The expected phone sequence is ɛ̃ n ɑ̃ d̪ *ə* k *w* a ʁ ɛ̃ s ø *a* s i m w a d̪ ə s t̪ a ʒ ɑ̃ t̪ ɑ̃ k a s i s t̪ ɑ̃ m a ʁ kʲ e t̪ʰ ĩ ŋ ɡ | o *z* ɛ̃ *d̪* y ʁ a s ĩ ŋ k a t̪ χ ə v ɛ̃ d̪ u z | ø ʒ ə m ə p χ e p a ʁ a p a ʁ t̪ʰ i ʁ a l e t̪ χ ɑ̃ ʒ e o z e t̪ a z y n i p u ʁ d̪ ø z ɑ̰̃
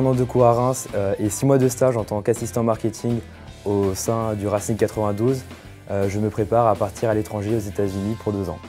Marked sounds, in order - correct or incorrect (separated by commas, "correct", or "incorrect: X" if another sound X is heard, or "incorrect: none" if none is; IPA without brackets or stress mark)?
correct, incorrect: u, incorrect: e, incorrect: s, correct